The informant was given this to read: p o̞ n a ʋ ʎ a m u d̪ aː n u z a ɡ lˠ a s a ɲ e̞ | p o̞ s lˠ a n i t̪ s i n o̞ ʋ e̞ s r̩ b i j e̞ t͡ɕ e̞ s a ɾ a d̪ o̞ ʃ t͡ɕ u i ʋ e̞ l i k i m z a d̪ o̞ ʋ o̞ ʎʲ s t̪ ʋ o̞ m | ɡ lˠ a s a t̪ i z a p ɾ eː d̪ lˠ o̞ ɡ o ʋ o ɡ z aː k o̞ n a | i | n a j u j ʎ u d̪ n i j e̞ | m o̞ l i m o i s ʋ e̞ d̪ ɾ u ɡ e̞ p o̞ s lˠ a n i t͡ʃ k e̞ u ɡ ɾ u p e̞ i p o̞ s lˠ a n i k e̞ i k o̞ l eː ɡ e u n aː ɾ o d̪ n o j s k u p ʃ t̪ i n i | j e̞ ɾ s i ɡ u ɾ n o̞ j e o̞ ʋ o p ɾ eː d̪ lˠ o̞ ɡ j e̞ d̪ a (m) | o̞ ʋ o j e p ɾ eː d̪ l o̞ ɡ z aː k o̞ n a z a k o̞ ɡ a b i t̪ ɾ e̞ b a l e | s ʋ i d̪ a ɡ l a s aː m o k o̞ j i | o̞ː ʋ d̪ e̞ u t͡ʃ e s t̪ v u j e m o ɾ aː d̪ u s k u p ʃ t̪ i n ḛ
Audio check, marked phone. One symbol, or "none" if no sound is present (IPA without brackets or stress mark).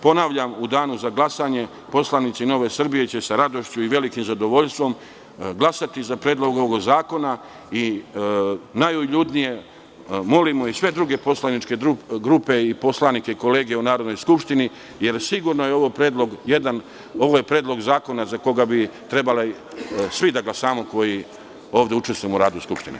n